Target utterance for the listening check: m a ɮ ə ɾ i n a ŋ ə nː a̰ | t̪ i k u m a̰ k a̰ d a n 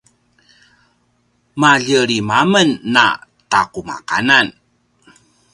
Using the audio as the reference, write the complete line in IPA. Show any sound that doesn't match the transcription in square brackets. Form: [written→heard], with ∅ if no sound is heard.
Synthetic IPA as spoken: m a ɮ ə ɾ i [n→m] a [ŋ→m] ə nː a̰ | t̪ [i→a] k u m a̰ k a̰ [d→n] a n